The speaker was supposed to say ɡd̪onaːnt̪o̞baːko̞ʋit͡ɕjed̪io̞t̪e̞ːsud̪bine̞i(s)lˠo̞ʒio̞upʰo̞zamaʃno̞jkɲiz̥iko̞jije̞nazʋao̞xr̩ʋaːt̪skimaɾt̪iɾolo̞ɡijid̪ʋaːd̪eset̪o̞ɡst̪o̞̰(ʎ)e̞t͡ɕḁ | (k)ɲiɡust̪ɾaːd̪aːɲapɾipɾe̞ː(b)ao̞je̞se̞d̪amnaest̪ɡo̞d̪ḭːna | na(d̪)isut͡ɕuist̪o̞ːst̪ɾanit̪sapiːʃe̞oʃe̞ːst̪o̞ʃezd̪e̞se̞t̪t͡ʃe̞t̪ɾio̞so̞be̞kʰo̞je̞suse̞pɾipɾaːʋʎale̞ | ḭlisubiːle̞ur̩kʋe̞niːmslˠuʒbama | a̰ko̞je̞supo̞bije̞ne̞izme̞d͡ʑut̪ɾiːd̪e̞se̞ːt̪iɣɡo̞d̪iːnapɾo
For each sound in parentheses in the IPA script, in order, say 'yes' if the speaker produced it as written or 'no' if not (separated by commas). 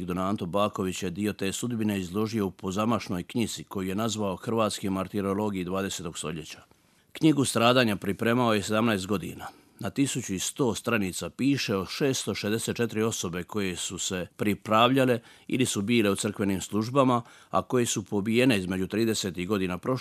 no, yes, yes, no, no